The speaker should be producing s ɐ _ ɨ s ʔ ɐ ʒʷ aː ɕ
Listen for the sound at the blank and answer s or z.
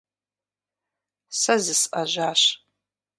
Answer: z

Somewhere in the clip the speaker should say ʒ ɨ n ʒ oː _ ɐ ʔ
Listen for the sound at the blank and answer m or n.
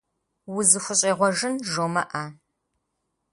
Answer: m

